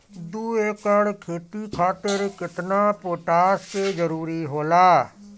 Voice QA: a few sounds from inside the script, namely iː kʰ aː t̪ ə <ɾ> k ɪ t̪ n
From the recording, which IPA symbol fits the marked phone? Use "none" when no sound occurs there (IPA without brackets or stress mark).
ɾ